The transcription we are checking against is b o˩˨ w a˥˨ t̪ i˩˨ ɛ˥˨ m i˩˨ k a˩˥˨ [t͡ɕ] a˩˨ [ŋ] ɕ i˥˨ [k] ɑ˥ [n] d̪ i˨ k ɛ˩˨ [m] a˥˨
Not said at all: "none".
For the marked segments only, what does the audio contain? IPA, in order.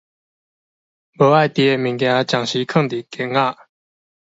t͡ɕ, ŋ, kʰ, ŋ, ŋ

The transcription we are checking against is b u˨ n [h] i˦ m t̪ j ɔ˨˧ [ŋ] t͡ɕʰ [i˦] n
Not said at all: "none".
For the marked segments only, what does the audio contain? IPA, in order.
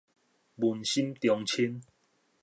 ɕ, ŋ, i˦

